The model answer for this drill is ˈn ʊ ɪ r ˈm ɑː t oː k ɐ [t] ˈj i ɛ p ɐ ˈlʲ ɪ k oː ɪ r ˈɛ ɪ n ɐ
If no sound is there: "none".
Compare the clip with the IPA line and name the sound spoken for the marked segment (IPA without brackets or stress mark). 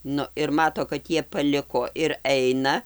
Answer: t